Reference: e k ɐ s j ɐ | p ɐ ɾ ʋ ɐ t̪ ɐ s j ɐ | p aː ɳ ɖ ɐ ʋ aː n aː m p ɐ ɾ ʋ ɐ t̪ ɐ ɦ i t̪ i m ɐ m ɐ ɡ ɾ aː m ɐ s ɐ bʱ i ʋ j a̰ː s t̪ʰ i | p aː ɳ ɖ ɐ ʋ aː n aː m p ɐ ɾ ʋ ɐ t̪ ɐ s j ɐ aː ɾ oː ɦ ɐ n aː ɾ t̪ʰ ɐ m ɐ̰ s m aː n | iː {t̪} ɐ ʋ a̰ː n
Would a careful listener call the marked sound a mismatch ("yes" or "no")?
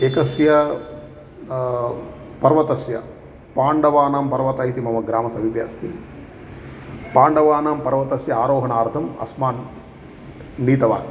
no